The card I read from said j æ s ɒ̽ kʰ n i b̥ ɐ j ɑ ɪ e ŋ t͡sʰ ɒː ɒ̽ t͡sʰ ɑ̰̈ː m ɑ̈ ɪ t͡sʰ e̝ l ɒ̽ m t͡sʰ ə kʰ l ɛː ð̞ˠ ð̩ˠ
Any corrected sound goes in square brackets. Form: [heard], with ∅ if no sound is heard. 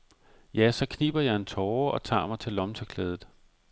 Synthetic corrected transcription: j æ s ɒ̽ kʰ n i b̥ ɐ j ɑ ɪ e [n] t͡sʰ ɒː ɒ̽ t͡sʰ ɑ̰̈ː m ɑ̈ ɪ t͡sʰ e̝ l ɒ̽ m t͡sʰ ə kʰ l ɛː ð̞ˠ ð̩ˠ